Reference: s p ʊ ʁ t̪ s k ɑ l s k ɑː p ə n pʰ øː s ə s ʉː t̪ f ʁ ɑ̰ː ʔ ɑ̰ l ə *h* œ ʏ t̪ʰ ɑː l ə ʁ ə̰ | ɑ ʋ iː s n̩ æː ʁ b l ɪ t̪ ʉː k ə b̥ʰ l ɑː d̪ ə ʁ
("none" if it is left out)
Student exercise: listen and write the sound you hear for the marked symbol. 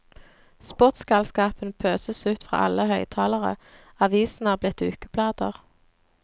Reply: h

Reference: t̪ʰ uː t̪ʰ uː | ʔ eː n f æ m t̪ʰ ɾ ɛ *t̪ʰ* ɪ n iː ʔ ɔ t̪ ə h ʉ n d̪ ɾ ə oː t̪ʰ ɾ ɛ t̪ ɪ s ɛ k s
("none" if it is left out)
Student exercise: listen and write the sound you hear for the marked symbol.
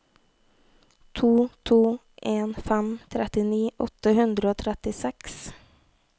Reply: t̪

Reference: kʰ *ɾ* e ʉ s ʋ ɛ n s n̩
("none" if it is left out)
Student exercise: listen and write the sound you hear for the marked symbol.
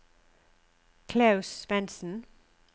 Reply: l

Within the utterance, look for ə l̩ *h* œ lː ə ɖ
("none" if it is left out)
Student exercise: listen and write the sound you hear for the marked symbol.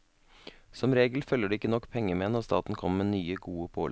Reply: f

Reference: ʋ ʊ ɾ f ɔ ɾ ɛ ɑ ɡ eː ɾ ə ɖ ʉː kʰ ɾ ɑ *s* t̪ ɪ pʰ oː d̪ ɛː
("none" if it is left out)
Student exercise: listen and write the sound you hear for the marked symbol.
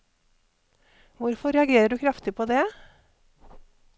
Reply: f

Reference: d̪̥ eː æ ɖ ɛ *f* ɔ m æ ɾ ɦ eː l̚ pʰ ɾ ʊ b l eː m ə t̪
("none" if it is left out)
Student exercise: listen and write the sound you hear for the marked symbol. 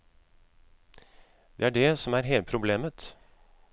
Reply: s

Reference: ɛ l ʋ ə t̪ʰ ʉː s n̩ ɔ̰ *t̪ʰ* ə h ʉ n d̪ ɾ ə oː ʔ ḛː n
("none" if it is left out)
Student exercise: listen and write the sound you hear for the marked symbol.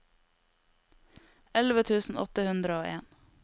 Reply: t̪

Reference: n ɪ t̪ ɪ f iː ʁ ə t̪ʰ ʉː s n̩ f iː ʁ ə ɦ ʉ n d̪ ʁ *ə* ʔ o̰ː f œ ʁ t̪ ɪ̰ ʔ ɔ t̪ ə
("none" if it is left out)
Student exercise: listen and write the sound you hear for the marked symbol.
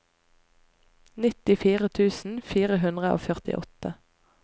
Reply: ə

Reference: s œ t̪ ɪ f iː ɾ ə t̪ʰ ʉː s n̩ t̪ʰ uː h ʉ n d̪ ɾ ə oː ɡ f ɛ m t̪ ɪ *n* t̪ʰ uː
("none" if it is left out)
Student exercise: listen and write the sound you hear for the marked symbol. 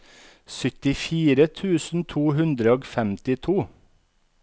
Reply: none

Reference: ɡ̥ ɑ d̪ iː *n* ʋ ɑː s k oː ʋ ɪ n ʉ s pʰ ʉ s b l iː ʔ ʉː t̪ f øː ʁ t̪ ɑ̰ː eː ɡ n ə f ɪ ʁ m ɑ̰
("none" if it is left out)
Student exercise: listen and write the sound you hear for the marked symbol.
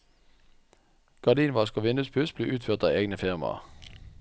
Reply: n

